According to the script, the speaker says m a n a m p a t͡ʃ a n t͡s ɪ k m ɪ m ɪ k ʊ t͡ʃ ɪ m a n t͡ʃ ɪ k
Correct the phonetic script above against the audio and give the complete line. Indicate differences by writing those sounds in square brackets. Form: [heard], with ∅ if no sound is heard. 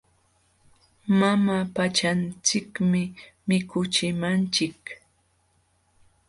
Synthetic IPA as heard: m a [m] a [∅] p a t͡ʃ a n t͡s ɪ k m ɪ m ɪ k ʊ t͡ʃ ɪ m a n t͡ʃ ɪ k